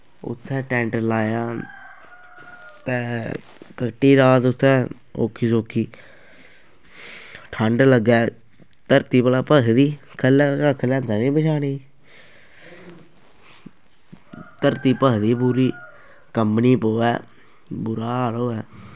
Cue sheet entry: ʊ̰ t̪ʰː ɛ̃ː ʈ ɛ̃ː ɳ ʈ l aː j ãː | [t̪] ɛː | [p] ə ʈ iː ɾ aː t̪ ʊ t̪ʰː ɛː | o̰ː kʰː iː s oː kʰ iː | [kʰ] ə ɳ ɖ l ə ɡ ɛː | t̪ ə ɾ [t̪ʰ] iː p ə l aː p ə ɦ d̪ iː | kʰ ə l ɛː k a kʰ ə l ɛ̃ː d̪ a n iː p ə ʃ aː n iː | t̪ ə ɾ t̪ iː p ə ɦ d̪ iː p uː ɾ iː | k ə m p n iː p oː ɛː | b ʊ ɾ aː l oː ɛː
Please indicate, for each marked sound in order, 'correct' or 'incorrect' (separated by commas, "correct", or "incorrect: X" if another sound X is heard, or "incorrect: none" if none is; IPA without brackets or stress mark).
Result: correct, incorrect: k, incorrect: ʈʰ, incorrect: t̪